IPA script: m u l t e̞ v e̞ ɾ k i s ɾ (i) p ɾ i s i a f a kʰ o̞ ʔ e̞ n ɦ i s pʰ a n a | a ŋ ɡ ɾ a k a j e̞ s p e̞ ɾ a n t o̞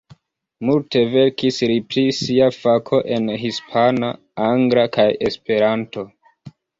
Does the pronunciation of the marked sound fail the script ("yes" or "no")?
no